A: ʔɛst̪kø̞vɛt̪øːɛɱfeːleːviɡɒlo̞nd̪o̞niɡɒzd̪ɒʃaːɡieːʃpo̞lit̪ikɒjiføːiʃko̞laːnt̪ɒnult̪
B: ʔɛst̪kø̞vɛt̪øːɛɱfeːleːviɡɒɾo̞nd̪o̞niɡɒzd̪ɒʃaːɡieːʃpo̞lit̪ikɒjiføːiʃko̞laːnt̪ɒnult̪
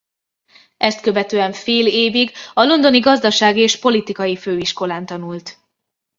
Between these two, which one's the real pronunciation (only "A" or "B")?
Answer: A